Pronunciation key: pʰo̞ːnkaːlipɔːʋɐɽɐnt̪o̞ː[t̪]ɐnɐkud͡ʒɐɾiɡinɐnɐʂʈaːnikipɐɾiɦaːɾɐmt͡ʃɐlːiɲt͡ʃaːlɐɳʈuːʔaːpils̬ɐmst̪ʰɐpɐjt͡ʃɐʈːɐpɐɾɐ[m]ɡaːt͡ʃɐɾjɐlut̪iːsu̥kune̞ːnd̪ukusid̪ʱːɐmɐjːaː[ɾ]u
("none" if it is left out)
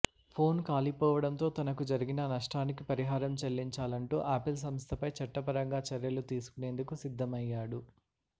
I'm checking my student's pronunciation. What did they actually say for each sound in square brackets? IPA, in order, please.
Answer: t̪, ŋ, ɽ

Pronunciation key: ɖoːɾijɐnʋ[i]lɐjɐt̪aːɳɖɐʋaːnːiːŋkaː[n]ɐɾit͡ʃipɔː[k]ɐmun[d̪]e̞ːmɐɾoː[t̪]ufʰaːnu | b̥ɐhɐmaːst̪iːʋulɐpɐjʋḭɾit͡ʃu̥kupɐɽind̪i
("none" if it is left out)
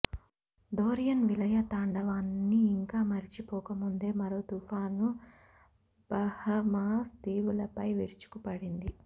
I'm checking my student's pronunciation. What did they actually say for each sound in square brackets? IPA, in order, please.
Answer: i, m, k, d̪, t̪

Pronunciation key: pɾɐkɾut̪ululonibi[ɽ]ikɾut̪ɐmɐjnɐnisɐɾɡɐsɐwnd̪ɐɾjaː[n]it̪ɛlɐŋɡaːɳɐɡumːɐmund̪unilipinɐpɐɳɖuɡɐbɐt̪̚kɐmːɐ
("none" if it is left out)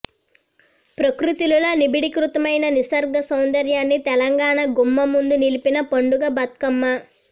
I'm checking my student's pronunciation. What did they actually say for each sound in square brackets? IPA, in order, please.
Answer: ɽ, nː

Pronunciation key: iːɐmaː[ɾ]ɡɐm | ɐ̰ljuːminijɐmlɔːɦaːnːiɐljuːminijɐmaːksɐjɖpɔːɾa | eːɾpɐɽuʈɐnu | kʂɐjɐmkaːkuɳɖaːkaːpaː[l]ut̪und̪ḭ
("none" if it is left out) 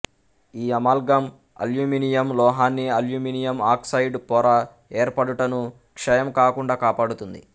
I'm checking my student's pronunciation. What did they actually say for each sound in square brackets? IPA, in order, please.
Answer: l, ɽ

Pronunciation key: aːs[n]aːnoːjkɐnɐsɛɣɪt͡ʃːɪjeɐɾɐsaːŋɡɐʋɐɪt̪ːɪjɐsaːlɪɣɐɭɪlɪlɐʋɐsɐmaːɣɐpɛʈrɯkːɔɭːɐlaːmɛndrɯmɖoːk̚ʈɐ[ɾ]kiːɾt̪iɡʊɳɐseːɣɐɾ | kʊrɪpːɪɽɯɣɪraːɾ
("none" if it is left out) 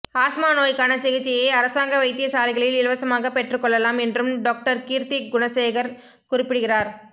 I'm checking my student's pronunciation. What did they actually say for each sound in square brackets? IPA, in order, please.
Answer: m, ɾ

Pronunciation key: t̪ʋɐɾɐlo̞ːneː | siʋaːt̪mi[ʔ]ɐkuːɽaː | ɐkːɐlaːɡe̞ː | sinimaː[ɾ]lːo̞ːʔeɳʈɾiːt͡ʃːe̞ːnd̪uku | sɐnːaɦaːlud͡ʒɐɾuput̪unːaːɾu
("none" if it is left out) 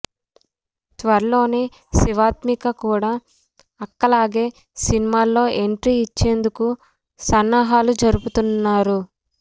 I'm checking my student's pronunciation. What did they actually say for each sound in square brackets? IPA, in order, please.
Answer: k, none

